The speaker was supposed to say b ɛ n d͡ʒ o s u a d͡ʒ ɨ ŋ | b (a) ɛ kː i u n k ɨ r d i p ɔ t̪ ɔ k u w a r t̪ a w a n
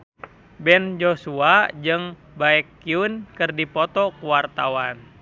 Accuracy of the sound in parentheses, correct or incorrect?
correct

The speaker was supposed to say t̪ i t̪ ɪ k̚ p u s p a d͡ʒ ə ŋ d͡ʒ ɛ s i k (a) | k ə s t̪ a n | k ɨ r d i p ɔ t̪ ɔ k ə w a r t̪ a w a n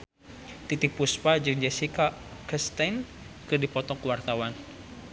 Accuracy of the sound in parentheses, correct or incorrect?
correct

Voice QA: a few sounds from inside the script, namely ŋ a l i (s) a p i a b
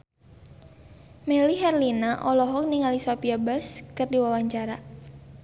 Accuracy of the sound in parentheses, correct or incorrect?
correct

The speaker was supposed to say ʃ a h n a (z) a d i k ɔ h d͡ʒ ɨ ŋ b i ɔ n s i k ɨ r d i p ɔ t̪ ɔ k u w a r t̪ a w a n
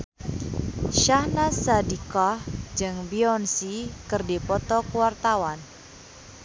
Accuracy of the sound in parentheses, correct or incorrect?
incorrect: s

